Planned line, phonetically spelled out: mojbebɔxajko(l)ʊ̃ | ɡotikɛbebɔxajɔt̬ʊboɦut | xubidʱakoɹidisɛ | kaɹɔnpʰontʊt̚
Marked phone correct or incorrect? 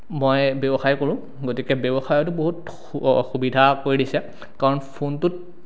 incorrect